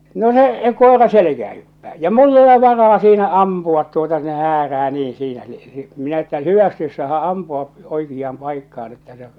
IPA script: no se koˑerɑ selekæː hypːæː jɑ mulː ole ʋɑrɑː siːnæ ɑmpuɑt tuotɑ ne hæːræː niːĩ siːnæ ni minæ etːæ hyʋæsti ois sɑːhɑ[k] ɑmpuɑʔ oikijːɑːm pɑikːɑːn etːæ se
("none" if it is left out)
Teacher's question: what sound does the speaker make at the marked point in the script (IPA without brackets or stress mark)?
ʔ